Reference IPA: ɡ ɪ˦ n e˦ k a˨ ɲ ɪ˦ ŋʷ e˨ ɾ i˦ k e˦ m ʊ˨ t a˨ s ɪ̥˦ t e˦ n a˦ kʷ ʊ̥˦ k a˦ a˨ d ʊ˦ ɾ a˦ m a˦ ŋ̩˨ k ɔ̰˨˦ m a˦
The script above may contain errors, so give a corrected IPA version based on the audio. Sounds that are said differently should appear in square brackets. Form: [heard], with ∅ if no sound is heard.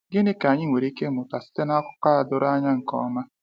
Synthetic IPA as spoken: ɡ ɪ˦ n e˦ k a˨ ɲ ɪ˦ ŋʷ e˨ ɾ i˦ k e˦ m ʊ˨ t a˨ s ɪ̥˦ t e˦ n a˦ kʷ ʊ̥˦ k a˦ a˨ d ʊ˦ ɾ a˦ [ɲ] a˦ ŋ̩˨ k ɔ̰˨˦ m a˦